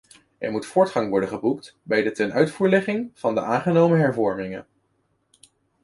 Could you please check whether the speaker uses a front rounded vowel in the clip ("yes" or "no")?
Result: yes